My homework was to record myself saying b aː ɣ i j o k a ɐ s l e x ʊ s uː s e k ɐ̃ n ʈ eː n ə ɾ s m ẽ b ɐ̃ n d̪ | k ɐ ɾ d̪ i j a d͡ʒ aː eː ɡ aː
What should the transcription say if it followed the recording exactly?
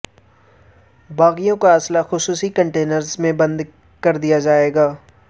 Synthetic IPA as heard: b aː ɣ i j õ k a ɐ s l a x ʊ s uː s i k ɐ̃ ɳ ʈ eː n ə ɾ z m ẽ b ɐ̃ n d̪ | k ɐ ɾ d̪ i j a d͡ʒ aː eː ɡ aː